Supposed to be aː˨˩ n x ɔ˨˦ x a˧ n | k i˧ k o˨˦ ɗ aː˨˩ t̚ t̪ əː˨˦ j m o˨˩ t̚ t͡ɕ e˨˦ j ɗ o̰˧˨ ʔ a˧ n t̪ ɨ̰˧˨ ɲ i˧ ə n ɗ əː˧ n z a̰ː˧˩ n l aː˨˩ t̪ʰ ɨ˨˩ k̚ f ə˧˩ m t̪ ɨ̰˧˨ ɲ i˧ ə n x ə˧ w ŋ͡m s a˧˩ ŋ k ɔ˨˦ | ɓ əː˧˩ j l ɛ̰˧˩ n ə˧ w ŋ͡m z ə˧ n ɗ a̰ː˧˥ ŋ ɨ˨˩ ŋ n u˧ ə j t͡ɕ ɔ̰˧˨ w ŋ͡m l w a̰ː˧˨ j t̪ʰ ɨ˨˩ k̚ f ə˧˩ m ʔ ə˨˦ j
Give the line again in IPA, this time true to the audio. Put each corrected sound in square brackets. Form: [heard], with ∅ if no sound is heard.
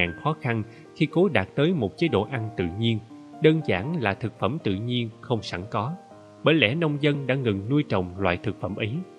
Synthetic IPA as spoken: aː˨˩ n x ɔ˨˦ x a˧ n | [x] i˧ k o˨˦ ɗ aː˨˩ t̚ t̪ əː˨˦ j m o˨˩ t̚ t͡ɕ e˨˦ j ɗ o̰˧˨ ʔ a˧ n t̪ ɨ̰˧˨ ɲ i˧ ə n ɗ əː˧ n z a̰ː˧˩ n l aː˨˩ t̪ʰ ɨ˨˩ k̚ f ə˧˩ m t̪ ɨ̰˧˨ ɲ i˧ ə n x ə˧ w ŋ͡m s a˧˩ ŋ k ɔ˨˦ | ɓ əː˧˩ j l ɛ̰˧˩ n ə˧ w ŋ͡m z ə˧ n ɗ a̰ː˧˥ ŋ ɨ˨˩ ŋ n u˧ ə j t͡ɕ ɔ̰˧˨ w ŋ͡m l w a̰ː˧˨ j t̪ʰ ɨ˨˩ k̚ f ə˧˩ m ʔ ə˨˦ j